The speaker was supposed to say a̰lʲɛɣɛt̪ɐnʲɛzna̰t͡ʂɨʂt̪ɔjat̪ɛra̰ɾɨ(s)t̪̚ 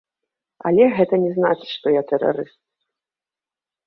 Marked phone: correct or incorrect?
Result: correct